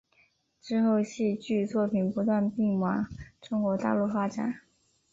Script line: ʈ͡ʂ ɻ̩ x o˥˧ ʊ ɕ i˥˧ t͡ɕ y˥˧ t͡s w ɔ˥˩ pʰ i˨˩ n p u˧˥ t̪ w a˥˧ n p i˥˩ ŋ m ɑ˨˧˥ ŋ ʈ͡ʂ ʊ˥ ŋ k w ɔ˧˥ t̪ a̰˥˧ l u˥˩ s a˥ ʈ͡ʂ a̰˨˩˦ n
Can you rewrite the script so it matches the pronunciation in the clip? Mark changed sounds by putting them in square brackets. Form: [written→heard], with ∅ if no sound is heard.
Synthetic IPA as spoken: ʈ͡ʂ ɻ̩ x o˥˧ ʊ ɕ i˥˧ t͡ɕ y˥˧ t͡s w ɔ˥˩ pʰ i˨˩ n p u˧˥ t̪ w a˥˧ n p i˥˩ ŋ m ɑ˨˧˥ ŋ ʈ͡ʂ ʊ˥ ŋ k w ɔ˧˥ t̪ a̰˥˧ l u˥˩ [s→f] a˥ ʈ͡ʂ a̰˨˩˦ n